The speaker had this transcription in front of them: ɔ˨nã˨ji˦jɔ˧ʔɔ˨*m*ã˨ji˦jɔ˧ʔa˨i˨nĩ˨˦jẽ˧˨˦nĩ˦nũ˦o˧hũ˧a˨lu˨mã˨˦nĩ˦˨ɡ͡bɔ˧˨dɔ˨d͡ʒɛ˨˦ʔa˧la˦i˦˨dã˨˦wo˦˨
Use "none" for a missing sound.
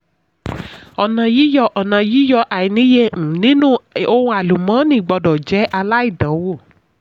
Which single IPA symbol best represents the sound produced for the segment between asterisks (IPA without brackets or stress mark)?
n